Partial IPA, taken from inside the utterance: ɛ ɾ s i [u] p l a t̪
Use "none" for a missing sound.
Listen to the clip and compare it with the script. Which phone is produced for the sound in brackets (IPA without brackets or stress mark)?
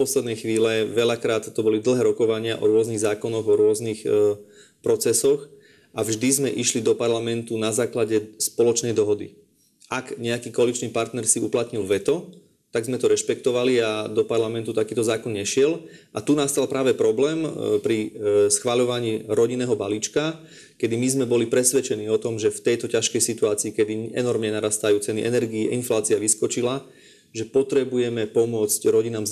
u